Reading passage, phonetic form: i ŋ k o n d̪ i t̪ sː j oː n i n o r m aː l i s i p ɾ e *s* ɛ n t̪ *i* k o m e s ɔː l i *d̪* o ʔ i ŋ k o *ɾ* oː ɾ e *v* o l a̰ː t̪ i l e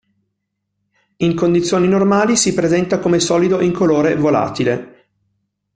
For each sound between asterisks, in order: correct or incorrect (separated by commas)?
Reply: incorrect, incorrect, correct, incorrect, correct